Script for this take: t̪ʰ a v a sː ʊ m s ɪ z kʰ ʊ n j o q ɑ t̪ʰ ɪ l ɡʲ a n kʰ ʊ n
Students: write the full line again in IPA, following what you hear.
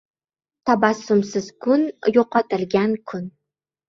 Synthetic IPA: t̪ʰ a b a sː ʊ m s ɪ z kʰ ʊ n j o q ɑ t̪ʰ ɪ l ɡʲ a n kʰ ʊ n